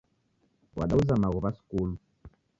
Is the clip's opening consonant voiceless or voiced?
voiced